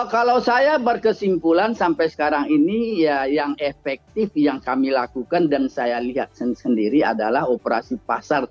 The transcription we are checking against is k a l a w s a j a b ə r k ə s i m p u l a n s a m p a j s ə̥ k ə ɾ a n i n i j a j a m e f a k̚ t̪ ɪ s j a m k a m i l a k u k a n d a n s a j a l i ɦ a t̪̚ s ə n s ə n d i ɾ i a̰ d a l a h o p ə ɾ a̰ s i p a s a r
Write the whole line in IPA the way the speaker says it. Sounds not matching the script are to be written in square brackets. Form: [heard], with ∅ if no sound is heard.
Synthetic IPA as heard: k a l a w s a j a b ə r k ə s i m p u l a n s a m p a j s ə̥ k [a] ɾ a [ŋ] i n i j a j a [ŋ] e f [ɛ] k̚ t̪ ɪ [f] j a [ŋ] k a m i l a k u k a n d a n s a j a l i ɦ a t̪̚ s ə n s ə n d i ɾ i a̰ d a l a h o p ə ɾ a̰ s i p a s a r

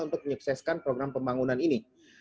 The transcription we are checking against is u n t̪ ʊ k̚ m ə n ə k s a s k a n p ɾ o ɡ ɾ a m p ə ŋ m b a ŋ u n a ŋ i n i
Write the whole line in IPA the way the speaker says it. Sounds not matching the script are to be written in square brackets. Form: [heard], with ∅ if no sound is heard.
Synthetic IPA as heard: u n t̪ ʊ k̚ m ə [ɲ] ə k s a s k a n p ɾ o ɡ ɾ a m p ə [∅] m b a ŋ u n a [n] i n i

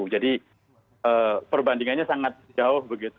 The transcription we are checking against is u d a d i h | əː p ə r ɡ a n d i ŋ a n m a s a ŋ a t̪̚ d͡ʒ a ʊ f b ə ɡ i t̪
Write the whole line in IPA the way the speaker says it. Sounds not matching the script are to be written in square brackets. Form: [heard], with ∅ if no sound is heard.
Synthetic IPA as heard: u [d͡ʒ] a d i [∅] | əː p ə r [b] a n d i ŋ a n [ɲ] a s a ŋ a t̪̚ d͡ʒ a ʊ [h] b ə ɡ i t̪

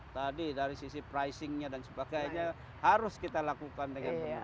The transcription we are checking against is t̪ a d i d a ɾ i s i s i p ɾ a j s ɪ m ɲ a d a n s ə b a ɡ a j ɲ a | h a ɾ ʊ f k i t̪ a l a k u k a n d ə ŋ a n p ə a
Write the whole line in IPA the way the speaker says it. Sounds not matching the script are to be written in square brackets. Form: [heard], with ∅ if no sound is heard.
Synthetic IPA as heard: t̪ a d i d a ɾ i s i s i p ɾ a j s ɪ [ŋ] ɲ a d a n s ə b a ɡ a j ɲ a | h a ɾ ʊ [s] k i t̪ a l a k u k a n d ə ŋ a n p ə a

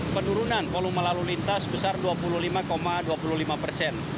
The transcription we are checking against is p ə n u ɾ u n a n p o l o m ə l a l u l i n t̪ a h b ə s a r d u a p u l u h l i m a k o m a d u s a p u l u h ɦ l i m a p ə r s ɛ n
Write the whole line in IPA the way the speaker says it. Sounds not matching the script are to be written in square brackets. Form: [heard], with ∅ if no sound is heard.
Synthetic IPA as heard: p ə n u ɾ u n a n p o l [u] m ə l a l u l i n t̪ a [s] b ə s a r d u a p u l u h l i m a k o m a d u [∅] a p u l u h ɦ l i m a p ə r s ɛ n

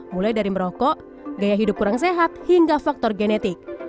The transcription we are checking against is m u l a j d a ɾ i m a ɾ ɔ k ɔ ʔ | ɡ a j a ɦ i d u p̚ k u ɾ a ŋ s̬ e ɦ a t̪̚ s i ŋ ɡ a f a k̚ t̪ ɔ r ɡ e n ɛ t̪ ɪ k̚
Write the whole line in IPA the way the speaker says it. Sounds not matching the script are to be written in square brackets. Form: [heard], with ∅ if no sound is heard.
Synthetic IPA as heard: m u l a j d a ɾ i m [ə] ɾ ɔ k ɔ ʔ | ɡ a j a ɦ i d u p̚ k u ɾ a ŋ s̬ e ɦ a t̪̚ [h] i ŋ ɡ a f a k̚ t̪ ɔ r ɡ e n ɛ t̪ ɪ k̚

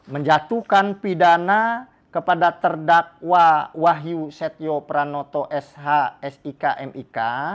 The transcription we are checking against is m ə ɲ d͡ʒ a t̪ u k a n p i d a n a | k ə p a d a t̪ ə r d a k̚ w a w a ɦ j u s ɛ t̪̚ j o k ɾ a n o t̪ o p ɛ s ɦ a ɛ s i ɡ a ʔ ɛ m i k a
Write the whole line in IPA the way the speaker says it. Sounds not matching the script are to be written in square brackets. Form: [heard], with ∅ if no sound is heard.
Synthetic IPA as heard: m ə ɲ d͡ʒ a t̪ u k a n p i d a n a | k ə p a d a t̪ ə r d a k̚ w a w a ɦ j u s ɛ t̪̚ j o [p] ɾ a n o t̪ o [ʔ] ɛ s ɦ a ɛ s i [k] a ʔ ɛ m i k a

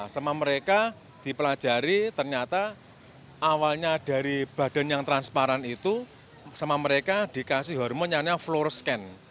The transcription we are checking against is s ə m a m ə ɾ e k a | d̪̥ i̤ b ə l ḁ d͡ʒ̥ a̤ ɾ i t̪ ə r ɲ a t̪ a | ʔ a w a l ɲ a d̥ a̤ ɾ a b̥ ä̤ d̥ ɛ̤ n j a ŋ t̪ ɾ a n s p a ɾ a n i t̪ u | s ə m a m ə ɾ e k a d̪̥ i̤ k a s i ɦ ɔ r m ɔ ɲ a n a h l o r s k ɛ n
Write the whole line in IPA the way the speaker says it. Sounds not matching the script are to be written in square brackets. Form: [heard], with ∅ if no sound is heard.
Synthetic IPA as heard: s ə m a m ə ɾ e k a | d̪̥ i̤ [p] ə l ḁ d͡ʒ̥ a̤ ɾ i t̪ ə r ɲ a t̪ a | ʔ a w a l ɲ a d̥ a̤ ɾ [i] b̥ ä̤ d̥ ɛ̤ n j a ŋ t̪ ɾ a n s p a ɾ a n i t̪ u | s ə m a m ə ɾ e k a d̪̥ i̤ k a s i ɦ ɔ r m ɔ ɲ a n a [f] l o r s k ɛ n

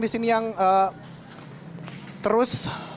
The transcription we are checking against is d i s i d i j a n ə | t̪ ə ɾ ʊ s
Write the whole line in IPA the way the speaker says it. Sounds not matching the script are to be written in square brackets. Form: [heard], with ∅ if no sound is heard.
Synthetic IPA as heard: d i s i [n] i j a [ŋ] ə | t̪ ə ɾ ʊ s

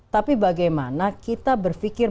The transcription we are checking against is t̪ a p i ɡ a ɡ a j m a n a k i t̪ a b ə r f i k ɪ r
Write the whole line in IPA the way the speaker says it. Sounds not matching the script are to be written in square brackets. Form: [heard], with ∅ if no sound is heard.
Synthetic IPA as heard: t̪ a p i [b] a ɡ a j m a n a k i t̪ a b ə r f i k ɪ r

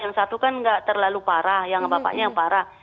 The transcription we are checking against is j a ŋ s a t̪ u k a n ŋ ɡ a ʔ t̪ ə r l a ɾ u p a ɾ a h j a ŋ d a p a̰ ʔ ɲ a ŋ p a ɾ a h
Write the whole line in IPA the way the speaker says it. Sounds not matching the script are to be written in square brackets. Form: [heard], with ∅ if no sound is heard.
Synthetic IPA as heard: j a ŋ s a t̪ u k a n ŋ ɡ a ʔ t̪ ə r l a [l] u p a ɾ a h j a ŋ [b] a p a̰ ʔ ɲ a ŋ p a ɾ a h

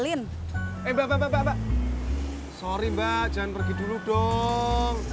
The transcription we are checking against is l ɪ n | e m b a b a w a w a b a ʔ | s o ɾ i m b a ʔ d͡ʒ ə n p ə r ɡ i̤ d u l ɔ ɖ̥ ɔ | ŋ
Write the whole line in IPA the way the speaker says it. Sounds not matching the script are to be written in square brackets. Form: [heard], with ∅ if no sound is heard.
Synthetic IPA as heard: l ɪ n | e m b a b a [b] a [b] a b a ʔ | s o ɾ i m b a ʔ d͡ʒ [a] n p ə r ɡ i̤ d u l [u] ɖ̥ ɔ | ŋ

